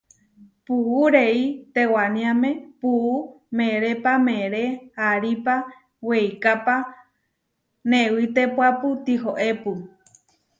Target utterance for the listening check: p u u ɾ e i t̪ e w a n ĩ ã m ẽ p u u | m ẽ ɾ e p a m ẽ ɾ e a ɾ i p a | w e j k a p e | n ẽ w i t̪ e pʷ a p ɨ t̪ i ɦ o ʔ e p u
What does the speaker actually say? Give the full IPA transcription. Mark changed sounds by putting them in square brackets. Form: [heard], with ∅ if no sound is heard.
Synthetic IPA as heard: p u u ɾ e i t̪ e w a n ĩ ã m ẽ p u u | m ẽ ɾ e p a m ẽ ɾ e a ɾ i p a | w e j k a p [a] | n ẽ w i t̪ e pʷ a p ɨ t̪ i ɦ o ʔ e p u